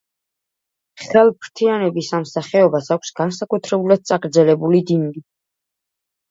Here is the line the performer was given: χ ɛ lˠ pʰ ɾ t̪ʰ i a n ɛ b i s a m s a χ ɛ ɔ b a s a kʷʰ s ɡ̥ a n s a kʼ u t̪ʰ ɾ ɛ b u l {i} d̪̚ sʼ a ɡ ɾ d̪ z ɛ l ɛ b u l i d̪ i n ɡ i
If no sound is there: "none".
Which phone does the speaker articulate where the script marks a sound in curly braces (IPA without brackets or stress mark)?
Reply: a